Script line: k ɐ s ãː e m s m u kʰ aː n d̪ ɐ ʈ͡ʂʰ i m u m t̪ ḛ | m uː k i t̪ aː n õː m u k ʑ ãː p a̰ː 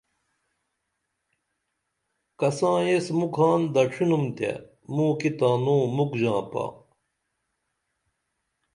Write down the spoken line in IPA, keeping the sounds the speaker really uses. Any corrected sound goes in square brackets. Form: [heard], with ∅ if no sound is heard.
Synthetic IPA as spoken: k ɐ s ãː e [∅] s m u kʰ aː n d̪ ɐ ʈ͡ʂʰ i [n] u m t̪ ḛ | m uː k i t̪ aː n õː m u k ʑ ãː p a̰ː